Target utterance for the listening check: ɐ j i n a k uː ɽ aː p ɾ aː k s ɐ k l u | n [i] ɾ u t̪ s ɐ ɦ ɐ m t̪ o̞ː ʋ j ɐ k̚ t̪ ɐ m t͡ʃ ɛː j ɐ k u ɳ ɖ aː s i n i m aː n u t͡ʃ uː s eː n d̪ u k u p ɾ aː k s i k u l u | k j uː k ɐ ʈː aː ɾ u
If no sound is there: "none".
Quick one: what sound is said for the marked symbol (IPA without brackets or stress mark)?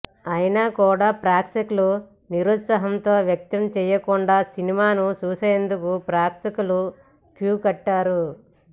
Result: i